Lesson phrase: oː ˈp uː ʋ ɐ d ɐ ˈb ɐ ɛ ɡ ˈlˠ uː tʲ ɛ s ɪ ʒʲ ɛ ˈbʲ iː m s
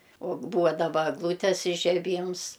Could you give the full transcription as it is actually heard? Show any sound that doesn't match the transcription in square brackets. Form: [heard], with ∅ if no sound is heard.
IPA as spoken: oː [ˈb] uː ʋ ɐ d ɐ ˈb ɐ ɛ ɡ ˈlˠ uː tʲ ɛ s ɪ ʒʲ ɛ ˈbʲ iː m s